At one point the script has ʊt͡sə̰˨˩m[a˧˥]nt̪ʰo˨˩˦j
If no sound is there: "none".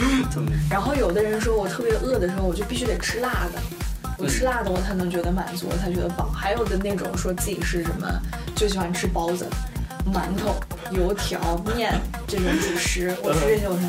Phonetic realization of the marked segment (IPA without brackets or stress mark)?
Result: a˧˥